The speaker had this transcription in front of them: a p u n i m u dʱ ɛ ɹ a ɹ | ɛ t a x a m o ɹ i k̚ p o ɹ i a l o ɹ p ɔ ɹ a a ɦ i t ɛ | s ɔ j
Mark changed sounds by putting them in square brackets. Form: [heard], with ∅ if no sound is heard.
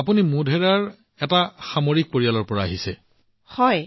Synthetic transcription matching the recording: a p u n i m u dʱ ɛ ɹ a ɹ | ɛ t a x a m o ɹ i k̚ p o ɹ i a l [ɔ] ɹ p ɔ ɹ a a ɦ i [s] ɛ | [h] ɔ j